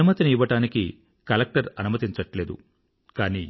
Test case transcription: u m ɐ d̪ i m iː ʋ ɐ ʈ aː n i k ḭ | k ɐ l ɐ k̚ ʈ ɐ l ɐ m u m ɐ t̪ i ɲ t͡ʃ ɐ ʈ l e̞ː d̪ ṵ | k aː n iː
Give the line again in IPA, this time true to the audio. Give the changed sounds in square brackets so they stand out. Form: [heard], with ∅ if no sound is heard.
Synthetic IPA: u m ɐ [t̪] i [n] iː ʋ ɐ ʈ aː n i k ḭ | k ɐ l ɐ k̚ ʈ ɐ [ɾ] ɐ [n] u m ɐ t̪ i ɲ t͡ʃ ɐ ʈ l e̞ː d̪ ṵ | k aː n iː